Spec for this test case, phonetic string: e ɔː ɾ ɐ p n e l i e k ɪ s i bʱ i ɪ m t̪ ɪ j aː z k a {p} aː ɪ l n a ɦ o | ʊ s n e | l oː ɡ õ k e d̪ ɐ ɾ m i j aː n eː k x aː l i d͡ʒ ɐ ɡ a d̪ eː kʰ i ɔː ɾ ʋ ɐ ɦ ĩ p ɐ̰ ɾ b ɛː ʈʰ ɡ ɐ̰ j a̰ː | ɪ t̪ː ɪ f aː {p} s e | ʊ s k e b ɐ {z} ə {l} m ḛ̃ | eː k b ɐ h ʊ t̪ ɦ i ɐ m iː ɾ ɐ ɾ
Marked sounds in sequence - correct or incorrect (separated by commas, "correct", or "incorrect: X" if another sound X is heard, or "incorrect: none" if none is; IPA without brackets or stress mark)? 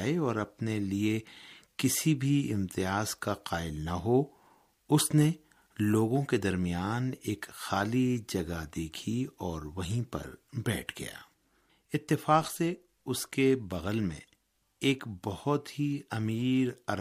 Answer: incorrect: q, incorrect: q, incorrect: ɣ, correct